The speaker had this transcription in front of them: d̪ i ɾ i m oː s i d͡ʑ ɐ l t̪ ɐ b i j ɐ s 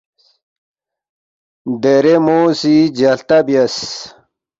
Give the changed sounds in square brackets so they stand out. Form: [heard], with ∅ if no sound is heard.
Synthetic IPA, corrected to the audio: d̪ [e] ɾ [e] m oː s i d͡ʑ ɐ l t̪ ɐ b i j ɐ s

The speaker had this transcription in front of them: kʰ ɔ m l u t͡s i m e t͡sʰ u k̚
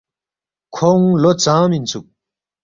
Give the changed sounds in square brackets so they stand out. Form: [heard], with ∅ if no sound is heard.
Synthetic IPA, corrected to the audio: kʰ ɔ [ŋ] l [o] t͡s [a] m [i] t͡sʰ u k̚

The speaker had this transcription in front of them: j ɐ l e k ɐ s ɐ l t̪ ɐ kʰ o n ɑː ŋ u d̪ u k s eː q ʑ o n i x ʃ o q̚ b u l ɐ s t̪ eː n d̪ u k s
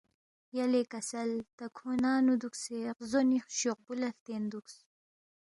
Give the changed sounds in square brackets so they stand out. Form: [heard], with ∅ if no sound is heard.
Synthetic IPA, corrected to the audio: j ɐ l e k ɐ s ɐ l t̪ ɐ kʰ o n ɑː [n] u d̪ u k s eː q [z] o n i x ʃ o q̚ b u l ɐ [f] t̪ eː n d̪ u k s

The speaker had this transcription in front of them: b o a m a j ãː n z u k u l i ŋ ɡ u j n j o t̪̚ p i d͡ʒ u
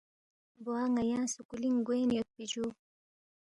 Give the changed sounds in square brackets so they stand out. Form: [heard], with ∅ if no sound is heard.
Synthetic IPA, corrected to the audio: b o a [ŋ] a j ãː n [s] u k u l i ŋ ɡ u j n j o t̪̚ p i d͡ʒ u

